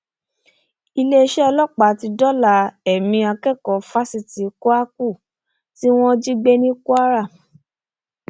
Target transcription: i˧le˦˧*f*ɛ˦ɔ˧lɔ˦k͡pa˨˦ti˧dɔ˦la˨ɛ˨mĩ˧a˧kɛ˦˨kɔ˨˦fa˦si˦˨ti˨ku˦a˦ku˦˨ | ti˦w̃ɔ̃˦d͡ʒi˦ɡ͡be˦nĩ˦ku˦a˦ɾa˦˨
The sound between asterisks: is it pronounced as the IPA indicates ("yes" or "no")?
no